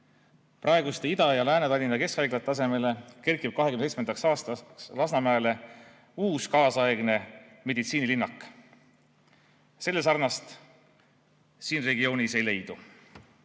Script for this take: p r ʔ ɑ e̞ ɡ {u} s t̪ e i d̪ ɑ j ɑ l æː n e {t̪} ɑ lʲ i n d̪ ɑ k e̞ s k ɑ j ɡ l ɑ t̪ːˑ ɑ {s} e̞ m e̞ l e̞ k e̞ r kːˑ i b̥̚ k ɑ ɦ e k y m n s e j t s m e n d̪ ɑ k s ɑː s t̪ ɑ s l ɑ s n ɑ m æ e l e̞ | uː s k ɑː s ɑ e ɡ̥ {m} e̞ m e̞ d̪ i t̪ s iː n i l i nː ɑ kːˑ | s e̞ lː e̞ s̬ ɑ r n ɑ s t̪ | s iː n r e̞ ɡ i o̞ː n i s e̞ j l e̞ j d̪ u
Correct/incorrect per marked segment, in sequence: correct, correct, correct, incorrect: n

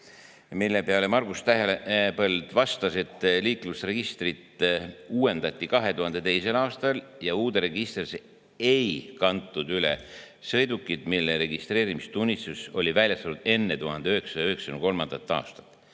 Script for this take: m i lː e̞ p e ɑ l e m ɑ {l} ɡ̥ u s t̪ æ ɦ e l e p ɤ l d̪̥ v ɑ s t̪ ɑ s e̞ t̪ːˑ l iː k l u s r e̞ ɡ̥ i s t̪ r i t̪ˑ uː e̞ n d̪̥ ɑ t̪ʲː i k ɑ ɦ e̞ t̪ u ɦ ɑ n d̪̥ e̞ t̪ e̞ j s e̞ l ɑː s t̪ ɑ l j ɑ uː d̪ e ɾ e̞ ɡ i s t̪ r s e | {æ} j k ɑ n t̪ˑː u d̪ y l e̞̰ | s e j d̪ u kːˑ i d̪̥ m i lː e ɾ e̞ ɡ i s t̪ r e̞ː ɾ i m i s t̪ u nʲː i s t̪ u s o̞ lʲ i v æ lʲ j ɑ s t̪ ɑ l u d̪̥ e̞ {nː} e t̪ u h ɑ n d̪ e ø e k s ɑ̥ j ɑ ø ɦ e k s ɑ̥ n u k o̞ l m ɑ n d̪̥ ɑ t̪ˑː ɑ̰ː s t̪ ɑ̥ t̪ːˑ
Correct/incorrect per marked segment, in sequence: incorrect: r, incorrect: e, correct

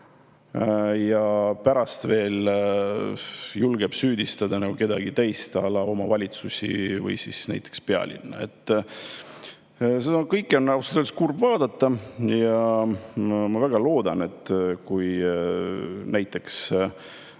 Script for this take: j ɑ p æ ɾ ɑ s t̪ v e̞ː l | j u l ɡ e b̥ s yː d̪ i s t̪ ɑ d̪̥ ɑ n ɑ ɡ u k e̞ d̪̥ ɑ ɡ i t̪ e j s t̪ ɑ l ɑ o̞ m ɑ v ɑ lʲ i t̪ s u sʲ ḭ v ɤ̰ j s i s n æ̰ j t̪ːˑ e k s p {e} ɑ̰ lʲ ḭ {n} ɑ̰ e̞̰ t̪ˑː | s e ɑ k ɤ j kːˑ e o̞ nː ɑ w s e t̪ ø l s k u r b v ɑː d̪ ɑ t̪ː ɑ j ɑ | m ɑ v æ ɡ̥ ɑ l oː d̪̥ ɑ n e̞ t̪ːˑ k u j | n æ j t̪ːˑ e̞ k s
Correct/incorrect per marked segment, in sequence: correct, incorrect: nː

